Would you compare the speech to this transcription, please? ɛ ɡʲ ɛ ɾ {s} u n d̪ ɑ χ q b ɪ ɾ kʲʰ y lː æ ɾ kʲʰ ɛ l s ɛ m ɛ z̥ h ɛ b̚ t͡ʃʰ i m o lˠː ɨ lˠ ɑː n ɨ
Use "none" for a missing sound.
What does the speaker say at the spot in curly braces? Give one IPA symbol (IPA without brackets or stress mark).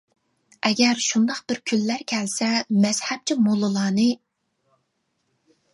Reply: ʃ